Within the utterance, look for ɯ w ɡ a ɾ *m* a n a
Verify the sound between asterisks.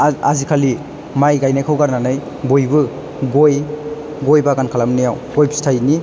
incorrect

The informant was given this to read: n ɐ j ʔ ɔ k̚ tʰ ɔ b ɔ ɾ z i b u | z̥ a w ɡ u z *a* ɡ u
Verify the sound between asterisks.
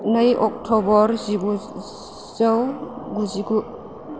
incorrect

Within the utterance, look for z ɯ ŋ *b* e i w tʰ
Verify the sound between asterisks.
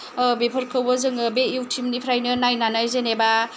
correct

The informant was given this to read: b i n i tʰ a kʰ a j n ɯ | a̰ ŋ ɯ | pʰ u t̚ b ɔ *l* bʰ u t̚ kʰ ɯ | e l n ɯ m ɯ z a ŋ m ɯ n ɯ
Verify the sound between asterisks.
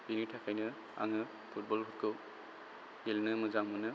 correct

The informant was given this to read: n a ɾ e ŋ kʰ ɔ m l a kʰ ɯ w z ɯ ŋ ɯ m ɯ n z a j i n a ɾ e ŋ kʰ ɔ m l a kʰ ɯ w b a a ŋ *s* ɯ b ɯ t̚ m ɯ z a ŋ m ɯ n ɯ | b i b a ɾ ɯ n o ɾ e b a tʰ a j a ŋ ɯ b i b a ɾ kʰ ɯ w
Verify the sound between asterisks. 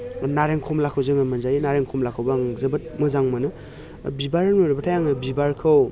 incorrect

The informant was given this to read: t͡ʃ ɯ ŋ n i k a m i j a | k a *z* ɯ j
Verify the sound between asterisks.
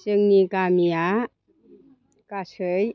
incorrect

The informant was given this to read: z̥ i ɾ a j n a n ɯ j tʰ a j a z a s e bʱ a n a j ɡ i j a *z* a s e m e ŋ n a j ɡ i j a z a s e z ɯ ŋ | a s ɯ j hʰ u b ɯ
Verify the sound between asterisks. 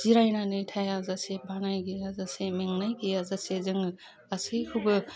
correct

